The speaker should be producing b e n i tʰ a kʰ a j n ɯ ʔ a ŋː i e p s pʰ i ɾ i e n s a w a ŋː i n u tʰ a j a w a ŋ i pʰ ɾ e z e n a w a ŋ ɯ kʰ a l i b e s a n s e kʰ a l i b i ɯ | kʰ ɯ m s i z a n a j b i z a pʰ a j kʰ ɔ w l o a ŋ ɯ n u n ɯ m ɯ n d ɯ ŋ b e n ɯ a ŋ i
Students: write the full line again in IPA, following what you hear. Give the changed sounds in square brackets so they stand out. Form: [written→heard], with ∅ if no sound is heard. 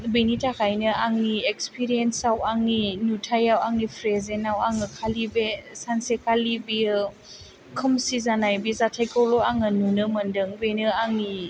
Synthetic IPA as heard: b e n i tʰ a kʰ a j n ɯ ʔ a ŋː i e [p→k] s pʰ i ɾ i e n s a w a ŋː i n u tʰ a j a w a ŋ i pʰ ɾ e z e n a w a ŋ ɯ kʰ a l i b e s a n s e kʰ a l i b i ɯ | kʰ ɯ m s i z a n a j b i z a [pʰ→tʰ] a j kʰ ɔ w l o a ŋ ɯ n u n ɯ m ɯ n d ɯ ŋ b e n ɯ a ŋ i